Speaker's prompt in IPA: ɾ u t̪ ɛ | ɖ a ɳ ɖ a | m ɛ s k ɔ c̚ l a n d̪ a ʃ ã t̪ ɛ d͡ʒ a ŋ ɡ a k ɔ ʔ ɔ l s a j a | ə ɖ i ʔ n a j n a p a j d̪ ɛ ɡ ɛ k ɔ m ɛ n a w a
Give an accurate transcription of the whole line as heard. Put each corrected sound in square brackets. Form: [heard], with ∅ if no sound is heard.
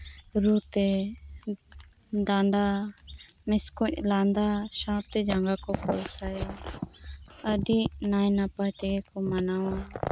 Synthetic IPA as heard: ɾ u t̪ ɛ | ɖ a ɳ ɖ a | m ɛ s k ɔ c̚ l a n d̪ a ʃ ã t̪ ɛ d͡ʒ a ŋ ɡ a k ɔ [k] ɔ l s a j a | ə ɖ i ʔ n a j n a p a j [t̪] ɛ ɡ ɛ k ɔ m [a] n a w a